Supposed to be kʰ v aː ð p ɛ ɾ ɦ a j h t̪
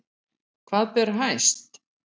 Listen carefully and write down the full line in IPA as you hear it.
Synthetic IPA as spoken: kʰ v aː ð p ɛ ɾ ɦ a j s t̪